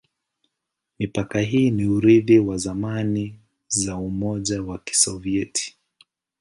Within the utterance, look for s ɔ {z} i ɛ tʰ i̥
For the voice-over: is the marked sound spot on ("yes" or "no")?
no